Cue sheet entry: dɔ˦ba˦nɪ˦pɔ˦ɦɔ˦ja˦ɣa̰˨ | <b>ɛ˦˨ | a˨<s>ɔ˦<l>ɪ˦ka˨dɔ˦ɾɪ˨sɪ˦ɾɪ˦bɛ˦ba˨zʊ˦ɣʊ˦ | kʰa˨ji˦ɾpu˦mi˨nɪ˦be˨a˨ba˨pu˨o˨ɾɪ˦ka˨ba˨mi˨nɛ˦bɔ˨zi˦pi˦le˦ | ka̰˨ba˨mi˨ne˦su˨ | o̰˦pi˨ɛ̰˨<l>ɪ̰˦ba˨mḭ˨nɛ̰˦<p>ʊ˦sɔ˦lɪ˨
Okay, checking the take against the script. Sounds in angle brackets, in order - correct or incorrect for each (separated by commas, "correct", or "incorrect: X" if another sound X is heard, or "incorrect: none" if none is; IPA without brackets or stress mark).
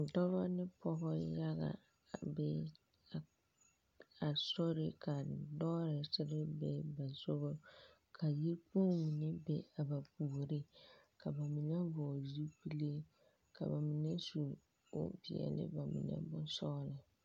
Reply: correct, correct, incorrect: ɾ, correct, incorrect: b